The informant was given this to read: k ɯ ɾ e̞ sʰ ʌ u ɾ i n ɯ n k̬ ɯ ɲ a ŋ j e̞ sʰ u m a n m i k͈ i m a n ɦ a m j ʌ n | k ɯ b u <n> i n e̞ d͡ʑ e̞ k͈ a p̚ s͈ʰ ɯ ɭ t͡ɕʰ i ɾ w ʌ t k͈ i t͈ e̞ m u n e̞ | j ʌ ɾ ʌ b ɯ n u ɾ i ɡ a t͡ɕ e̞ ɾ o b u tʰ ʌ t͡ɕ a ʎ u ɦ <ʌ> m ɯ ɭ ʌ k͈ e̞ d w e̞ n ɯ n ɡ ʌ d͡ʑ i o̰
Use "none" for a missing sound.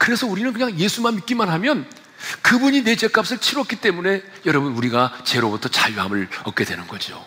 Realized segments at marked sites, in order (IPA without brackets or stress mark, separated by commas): ɲ, a